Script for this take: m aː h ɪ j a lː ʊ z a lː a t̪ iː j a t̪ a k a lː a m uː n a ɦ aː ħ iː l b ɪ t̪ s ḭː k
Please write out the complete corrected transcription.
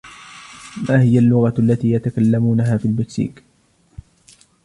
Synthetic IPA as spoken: m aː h ɪ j a lː ʊ ɣ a lː a t̪ iː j a t̪ a k a lː a m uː n a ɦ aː f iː l b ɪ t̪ s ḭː k